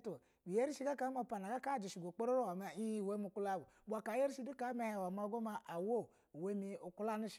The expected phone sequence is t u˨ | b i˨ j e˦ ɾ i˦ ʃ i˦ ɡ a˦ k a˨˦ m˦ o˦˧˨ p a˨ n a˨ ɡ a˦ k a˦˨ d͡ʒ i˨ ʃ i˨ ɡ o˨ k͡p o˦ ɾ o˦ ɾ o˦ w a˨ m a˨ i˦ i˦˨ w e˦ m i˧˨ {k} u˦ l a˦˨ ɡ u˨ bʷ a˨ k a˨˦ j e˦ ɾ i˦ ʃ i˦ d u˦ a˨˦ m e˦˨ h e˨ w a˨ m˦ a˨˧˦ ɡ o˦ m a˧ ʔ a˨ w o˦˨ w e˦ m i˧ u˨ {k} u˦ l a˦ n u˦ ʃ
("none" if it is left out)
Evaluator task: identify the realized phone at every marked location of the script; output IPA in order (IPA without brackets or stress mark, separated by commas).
k, k